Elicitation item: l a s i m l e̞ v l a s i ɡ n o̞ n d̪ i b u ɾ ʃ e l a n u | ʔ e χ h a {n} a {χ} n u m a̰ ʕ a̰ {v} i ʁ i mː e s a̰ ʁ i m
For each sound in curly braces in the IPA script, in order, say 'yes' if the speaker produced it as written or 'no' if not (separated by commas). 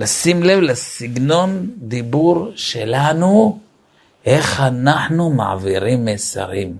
yes, no, yes